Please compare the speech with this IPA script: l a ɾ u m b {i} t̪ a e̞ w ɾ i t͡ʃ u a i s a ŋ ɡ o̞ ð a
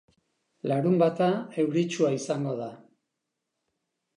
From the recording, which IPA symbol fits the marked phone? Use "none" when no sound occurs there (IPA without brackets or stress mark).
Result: a